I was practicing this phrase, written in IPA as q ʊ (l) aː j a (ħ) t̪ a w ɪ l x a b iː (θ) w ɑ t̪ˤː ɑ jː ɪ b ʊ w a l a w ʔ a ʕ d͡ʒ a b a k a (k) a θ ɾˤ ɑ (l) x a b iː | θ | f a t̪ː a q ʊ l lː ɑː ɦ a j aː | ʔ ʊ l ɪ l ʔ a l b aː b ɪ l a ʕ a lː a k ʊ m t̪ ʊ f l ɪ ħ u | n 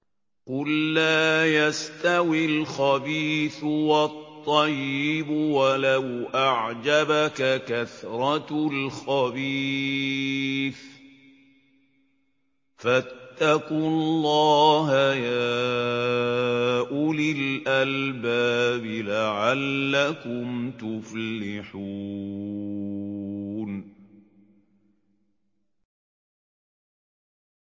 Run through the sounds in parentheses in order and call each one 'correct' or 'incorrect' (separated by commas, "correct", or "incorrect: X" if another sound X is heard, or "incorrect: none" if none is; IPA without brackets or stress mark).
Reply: incorrect: lː, incorrect: s, correct, correct, correct